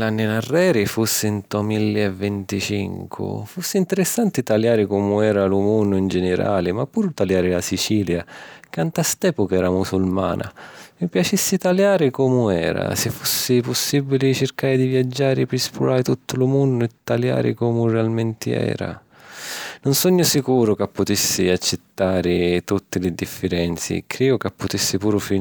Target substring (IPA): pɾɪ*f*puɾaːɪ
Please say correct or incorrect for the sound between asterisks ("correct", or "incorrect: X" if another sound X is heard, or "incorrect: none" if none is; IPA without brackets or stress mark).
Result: incorrect: s